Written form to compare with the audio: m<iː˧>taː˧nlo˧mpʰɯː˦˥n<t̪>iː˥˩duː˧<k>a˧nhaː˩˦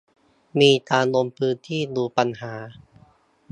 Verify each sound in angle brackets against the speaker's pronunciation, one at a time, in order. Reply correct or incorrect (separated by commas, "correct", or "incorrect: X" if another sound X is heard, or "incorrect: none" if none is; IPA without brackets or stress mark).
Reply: correct, incorrect: t̪ʰ, incorrect: p